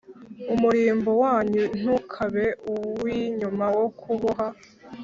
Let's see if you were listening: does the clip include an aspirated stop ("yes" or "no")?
yes